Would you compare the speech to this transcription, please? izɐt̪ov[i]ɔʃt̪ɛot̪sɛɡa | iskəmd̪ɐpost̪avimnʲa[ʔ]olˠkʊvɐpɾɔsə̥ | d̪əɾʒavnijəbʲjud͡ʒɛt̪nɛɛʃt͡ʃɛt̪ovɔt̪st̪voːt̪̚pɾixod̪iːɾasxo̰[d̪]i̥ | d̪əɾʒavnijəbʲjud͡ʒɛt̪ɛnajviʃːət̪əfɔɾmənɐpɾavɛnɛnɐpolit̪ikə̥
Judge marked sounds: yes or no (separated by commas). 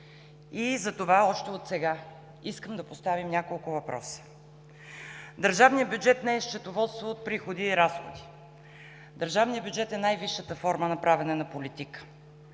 no, no, yes